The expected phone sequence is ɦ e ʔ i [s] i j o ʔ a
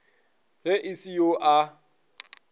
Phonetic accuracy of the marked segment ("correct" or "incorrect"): correct